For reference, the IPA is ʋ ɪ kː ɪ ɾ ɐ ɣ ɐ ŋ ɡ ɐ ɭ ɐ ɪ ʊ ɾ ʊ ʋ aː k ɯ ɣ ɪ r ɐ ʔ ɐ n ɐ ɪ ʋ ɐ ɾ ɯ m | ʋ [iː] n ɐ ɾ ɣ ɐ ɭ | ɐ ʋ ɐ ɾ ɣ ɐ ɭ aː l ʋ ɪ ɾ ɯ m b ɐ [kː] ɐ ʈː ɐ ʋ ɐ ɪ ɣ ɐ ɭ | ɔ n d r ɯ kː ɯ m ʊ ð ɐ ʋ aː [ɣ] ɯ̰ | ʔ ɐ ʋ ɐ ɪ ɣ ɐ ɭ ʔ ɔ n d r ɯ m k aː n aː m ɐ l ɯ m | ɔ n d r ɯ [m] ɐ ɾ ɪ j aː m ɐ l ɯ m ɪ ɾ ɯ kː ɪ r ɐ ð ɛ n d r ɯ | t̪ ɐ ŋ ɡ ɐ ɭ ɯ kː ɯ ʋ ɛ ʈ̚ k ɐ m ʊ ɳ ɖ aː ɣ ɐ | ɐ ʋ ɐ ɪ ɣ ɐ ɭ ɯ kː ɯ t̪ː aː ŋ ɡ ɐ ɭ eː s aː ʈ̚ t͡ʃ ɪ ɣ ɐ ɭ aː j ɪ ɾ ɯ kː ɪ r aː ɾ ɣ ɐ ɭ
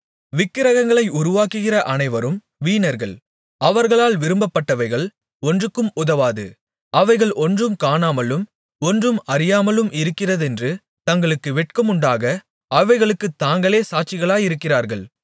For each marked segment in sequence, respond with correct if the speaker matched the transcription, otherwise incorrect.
correct, incorrect, incorrect, correct

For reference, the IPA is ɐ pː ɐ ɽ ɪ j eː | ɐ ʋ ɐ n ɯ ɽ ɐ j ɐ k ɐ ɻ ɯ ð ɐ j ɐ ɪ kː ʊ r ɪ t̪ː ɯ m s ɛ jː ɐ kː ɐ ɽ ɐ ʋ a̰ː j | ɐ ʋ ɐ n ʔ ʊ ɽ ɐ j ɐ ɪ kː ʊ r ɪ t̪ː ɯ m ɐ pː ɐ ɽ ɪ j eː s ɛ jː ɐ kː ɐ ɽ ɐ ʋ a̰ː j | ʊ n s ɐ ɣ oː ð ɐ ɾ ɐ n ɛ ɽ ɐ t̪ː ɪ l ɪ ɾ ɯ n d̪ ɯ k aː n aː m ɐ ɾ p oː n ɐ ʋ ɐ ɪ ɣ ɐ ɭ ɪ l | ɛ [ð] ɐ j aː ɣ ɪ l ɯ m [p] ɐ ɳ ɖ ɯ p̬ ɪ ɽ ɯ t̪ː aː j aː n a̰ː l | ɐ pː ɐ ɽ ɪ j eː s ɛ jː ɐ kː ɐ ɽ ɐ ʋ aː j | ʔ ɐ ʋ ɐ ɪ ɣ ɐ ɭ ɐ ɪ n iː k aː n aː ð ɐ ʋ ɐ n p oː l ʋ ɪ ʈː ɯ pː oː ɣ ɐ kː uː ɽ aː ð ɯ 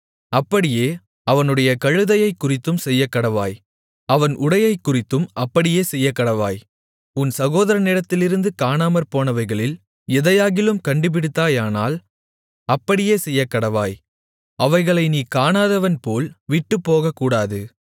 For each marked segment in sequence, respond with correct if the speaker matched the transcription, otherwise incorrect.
correct, incorrect

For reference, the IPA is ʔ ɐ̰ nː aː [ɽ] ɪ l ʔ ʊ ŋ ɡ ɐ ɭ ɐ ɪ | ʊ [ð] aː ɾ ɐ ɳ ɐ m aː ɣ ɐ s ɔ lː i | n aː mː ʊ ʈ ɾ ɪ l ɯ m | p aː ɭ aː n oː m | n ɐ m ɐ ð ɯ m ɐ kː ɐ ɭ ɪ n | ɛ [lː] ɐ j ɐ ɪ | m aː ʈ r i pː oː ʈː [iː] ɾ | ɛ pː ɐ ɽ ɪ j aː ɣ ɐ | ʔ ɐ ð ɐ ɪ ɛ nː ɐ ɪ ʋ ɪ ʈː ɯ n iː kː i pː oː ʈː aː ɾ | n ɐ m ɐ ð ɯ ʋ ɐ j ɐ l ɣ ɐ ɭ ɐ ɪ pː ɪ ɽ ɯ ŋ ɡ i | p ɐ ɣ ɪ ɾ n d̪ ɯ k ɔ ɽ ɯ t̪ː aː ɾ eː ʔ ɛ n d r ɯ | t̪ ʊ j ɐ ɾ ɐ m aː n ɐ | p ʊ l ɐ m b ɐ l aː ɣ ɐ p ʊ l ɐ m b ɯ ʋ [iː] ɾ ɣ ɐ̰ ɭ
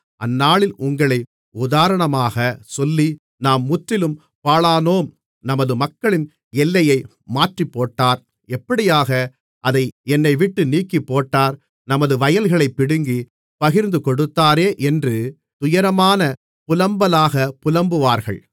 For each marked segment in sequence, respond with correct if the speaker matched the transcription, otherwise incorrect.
incorrect, correct, correct, incorrect, incorrect

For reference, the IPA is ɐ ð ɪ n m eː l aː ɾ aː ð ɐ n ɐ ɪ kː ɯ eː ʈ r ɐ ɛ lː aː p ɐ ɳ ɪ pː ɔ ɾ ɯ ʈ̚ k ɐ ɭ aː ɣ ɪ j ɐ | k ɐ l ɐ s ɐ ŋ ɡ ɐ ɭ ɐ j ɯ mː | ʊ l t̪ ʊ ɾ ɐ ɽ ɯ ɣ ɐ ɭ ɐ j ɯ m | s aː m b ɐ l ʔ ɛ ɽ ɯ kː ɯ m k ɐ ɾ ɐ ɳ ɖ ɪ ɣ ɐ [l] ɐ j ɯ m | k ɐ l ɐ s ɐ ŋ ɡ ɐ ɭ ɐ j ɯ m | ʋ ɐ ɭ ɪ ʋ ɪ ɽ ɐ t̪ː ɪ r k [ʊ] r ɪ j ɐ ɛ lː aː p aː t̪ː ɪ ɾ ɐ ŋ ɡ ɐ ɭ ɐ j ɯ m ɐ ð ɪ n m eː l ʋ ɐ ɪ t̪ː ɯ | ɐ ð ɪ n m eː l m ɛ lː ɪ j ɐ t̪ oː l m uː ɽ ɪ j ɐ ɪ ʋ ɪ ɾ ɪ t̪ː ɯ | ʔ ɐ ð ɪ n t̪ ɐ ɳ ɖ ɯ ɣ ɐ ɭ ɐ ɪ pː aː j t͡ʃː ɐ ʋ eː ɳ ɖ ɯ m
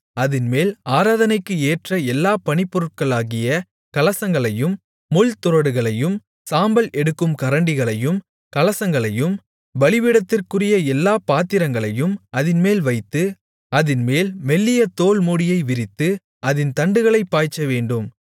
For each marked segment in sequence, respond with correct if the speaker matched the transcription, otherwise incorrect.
incorrect, incorrect

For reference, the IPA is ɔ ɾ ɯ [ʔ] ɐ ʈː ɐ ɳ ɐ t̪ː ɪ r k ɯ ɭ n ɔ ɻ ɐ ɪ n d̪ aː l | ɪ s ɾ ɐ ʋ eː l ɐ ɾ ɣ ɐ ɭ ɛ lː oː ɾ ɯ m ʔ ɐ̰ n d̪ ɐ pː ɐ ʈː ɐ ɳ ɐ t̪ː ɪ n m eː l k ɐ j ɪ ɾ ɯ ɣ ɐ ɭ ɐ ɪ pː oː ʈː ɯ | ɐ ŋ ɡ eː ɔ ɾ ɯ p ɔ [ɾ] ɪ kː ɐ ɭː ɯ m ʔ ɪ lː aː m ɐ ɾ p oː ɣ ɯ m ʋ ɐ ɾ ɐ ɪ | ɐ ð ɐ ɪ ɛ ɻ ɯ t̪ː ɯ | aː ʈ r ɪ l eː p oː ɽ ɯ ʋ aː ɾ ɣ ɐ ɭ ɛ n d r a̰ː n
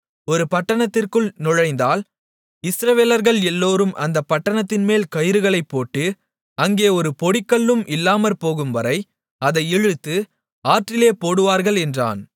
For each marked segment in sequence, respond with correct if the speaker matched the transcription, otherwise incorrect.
incorrect, incorrect

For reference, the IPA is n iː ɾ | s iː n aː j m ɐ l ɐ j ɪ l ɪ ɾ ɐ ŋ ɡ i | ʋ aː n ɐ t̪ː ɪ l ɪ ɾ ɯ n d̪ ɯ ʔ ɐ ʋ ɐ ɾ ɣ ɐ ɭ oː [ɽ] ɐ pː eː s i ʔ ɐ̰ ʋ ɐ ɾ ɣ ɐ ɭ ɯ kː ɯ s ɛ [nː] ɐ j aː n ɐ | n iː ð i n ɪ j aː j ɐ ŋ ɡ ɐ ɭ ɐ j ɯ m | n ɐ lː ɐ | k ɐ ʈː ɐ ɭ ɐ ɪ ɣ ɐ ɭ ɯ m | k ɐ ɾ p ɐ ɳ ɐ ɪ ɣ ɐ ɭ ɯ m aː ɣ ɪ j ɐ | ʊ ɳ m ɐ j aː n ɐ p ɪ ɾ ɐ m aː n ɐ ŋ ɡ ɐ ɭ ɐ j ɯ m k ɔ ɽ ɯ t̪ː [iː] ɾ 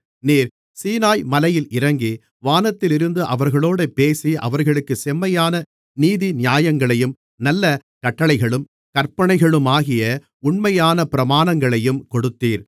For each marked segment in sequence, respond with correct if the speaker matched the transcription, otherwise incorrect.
correct, incorrect, correct

